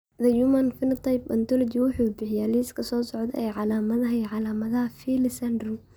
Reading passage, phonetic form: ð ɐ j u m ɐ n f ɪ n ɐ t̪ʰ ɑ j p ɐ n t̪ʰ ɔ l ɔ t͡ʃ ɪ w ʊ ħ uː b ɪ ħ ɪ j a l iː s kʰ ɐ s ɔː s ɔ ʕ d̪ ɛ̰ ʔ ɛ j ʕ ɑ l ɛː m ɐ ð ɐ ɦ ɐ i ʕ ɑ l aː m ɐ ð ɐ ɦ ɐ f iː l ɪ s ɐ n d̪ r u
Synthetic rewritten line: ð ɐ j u m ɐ n f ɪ n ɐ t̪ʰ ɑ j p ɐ n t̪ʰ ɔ l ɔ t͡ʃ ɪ w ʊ ħ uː b ɪ ħ ɪ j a l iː s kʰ ɐ s ɔː s ɔ ʕ d̪ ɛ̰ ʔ ɛ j ʕ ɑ l aː m ɐ ð ɐ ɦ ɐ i ʕ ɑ l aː m ɐ ð ɐ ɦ ɐ f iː l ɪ s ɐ n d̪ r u